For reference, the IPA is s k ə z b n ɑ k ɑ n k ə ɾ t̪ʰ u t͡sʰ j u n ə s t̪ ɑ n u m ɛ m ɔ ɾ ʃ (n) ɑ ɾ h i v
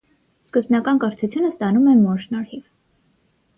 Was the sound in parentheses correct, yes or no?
yes